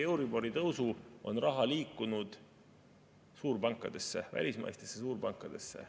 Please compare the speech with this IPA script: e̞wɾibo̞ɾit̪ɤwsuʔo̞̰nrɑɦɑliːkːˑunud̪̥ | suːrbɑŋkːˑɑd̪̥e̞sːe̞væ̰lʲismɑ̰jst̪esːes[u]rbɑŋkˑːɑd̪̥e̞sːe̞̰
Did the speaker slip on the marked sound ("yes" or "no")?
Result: yes